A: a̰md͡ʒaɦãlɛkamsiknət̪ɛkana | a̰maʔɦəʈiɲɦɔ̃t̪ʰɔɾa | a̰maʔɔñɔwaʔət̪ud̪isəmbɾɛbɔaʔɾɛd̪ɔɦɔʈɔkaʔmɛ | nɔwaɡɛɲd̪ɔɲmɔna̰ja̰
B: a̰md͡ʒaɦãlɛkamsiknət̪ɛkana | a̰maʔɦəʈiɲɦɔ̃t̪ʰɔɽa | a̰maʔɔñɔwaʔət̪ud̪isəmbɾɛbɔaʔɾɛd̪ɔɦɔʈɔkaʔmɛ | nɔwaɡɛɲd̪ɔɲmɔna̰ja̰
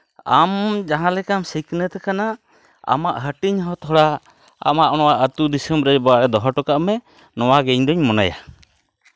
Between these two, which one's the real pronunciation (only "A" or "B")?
B